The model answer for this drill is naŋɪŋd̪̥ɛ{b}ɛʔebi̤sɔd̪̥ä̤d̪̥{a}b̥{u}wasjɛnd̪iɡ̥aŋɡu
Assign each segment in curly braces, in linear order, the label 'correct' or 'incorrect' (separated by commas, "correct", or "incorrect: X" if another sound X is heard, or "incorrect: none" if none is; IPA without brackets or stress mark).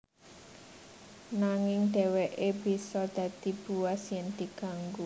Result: incorrect: w, incorrect: i, correct